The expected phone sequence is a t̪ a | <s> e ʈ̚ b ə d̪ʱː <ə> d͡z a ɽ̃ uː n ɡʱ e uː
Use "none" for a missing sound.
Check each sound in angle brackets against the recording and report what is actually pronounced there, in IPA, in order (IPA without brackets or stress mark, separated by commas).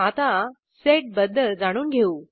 s, ə